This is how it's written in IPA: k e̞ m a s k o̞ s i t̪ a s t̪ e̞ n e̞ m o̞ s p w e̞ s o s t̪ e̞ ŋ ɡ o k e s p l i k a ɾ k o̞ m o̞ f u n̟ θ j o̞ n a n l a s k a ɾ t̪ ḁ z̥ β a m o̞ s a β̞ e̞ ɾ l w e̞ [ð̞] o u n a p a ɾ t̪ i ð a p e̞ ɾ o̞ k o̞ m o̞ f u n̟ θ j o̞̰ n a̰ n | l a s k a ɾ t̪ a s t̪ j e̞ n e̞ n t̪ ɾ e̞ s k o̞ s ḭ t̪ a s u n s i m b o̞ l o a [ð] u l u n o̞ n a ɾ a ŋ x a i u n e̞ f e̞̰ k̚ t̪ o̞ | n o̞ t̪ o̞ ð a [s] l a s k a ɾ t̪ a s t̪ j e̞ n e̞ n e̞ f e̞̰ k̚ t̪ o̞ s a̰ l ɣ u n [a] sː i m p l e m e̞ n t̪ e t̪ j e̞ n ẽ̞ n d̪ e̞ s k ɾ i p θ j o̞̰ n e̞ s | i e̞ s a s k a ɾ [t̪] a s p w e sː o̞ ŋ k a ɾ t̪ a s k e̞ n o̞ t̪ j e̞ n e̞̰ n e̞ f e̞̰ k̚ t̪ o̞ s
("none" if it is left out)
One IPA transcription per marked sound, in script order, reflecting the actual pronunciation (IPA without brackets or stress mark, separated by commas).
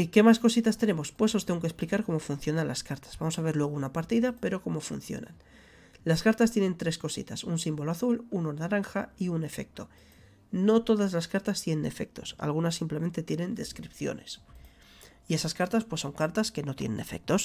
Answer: ɣ̞, θ, z, a, t̪